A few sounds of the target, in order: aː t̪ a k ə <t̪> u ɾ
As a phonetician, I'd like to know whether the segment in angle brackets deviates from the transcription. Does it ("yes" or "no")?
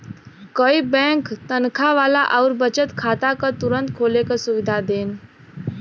no